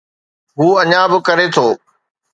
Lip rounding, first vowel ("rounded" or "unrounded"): rounded